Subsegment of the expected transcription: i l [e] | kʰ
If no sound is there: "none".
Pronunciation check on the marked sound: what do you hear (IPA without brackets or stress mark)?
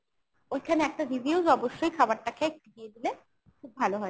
e